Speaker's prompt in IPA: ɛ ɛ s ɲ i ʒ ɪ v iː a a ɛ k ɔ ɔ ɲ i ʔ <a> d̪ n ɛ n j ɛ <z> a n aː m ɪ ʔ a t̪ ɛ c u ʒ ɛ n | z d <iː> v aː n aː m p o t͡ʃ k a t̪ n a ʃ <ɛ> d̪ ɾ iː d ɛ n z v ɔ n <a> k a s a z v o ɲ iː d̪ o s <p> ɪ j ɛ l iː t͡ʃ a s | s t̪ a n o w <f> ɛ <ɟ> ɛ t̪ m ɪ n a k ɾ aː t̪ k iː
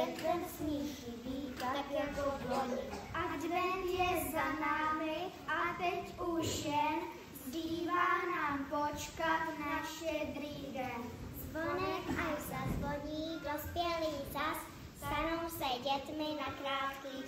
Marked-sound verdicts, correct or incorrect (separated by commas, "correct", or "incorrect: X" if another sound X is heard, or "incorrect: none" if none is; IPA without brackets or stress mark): correct, correct, correct, correct, incorrect: ɛ, correct, incorrect: s, correct